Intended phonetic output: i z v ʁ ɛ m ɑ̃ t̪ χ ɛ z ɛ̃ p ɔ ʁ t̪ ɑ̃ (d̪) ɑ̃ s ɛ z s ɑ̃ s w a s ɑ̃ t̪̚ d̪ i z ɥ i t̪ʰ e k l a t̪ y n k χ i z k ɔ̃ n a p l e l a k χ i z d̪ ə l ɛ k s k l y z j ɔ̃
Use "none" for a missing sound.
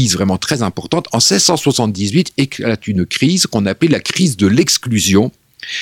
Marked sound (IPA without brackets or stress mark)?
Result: t̪